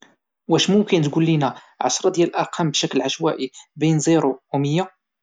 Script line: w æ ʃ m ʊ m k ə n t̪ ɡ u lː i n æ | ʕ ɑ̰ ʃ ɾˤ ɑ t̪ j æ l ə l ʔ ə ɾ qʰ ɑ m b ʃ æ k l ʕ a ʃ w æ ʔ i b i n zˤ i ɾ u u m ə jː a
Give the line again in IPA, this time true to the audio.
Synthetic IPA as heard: w æ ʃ m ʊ m k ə n t̪ ɡ u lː i n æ | ʕ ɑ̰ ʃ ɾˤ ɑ d̪ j æ l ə l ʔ ɑ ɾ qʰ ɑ m b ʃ æ k l ʕ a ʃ w æ ʔ i b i n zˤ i ɾ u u m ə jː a